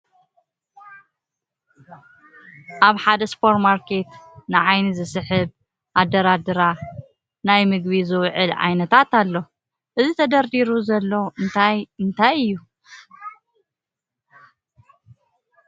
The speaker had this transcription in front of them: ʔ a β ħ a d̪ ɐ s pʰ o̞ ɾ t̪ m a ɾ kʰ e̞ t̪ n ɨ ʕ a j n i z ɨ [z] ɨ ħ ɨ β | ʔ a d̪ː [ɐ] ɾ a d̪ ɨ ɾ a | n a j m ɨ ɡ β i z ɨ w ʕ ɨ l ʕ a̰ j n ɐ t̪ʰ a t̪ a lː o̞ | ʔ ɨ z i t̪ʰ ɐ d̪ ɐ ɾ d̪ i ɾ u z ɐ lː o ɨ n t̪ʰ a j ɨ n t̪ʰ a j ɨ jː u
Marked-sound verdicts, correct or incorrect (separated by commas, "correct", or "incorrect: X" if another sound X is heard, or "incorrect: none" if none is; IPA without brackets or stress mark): incorrect: s, correct